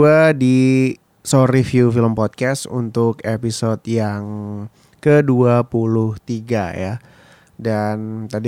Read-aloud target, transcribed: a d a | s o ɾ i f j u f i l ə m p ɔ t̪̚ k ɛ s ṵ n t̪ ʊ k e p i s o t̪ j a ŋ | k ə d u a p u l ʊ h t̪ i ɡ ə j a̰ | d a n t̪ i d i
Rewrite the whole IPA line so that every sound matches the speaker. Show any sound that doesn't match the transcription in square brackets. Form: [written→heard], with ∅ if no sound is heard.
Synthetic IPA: a d [a→i] | s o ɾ i f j u f i l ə m p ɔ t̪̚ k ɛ s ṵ n t̪ ʊ k e p i s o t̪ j a ŋ | k ə d u a p u l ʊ h t̪ i ɡ [ə→a] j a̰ | d a n t̪ [i→a] d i